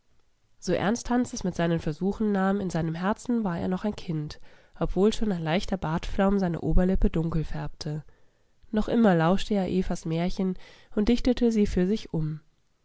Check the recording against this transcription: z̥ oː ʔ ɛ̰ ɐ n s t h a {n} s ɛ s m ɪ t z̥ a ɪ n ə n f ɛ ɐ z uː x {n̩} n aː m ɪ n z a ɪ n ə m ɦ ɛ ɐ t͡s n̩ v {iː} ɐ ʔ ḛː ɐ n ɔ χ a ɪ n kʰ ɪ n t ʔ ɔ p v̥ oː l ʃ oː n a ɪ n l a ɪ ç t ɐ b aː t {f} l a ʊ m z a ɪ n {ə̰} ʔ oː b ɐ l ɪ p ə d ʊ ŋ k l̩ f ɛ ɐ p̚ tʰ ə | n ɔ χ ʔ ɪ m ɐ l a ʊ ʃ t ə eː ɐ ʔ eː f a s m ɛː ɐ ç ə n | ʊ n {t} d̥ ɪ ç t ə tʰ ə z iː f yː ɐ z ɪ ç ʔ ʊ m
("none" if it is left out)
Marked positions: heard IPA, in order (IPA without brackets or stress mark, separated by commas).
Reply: n, n̩, aː, f, ə̰, t